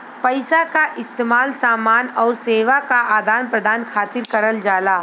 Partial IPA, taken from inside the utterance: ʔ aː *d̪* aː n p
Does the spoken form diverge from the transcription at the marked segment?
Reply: no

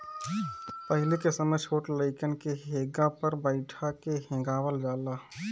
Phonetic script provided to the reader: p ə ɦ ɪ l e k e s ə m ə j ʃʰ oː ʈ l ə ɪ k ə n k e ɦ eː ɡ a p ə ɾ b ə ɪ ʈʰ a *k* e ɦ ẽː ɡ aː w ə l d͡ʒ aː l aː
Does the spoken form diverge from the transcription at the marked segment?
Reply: no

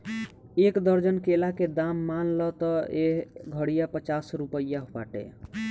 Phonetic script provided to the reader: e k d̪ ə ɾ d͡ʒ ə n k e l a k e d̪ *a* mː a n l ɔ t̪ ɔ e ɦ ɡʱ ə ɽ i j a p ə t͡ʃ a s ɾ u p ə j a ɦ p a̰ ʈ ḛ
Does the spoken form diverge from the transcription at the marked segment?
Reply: no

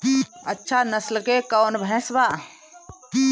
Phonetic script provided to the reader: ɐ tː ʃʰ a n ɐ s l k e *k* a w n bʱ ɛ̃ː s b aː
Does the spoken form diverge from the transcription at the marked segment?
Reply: no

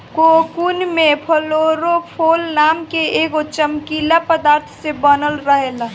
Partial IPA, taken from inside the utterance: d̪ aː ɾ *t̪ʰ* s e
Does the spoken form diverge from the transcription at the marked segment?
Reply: no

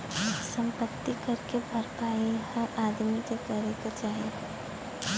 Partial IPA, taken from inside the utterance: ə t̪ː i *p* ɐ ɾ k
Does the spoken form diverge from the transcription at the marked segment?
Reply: yes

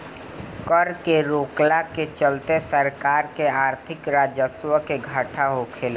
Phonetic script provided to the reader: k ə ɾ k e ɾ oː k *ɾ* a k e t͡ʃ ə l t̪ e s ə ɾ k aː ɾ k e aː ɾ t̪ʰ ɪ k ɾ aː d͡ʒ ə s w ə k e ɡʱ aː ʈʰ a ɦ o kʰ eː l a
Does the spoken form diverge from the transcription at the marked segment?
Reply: yes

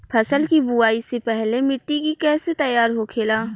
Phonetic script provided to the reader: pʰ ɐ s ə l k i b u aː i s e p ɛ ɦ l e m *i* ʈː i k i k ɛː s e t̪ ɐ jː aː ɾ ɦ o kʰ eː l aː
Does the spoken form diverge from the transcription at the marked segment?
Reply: yes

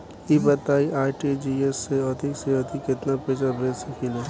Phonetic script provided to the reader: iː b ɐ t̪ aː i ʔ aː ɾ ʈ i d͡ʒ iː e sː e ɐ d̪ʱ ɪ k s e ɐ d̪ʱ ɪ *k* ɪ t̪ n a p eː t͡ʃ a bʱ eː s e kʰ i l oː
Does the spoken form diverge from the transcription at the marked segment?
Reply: no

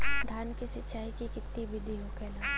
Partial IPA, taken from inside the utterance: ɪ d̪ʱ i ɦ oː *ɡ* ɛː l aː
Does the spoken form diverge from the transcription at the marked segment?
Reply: yes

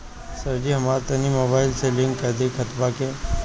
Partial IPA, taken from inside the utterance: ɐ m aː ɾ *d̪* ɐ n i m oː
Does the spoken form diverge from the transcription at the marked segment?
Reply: yes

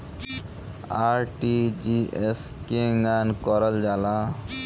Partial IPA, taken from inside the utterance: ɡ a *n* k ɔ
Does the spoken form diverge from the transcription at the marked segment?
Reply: no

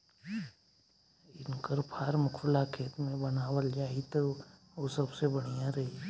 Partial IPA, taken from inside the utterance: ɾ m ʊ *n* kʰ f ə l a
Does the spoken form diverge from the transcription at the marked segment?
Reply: yes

